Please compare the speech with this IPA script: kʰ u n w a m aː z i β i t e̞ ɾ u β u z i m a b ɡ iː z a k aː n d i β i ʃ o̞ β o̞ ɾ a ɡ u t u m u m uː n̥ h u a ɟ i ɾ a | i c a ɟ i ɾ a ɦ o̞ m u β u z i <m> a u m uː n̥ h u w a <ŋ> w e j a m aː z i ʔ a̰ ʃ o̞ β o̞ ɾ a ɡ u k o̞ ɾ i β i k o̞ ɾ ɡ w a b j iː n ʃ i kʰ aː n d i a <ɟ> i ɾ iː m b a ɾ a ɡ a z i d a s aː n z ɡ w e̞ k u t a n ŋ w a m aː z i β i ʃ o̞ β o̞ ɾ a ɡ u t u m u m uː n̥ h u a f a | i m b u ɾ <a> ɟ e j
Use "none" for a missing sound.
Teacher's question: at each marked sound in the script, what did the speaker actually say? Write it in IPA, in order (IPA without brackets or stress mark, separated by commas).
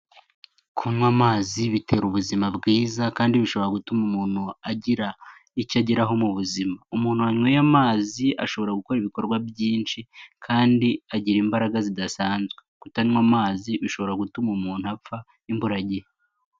m, ɲ, ɟ, a